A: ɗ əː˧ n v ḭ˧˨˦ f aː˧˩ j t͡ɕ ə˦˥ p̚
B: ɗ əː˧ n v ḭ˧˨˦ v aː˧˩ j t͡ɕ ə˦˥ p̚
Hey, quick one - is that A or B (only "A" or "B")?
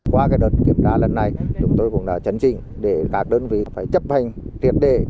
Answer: A